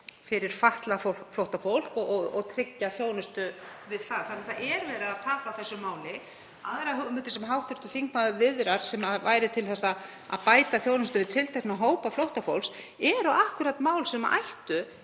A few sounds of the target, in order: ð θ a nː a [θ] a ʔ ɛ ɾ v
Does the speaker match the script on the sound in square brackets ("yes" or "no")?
yes